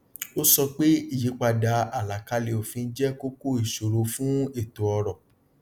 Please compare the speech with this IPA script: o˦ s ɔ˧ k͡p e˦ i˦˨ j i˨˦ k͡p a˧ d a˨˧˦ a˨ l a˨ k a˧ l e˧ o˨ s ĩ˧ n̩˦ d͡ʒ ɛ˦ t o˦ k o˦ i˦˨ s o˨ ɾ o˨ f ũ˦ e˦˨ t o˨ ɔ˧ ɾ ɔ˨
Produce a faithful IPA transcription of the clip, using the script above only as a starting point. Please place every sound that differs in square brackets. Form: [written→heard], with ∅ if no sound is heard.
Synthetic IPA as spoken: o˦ s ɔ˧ k͡p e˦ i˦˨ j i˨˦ k͡p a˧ d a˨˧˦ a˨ l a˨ k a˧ l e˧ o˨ [s→f] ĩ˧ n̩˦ d͡ʒ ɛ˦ [t→k] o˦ k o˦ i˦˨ [s→ʃ] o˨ ɾ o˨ f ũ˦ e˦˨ t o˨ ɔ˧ ɾ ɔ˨